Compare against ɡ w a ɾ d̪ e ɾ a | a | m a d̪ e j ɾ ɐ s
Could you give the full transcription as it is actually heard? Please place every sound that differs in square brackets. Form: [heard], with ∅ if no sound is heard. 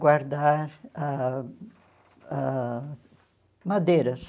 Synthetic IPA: ɡ w a ɾ d̪ [a] ɾ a | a | m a d̪ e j ɾ ɐ s

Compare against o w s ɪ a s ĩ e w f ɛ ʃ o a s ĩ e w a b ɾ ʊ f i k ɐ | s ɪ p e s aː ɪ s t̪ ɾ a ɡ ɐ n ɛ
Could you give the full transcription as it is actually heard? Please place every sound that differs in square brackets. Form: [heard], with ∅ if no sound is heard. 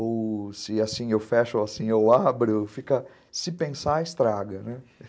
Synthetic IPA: o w s ɪ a s ĩ e w f ɛ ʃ o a s ĩ e w a b ɾ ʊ f i k ɐ | s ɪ p [ẽ] s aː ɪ s t̪ ɾ a ɡ ɐ n ɛ

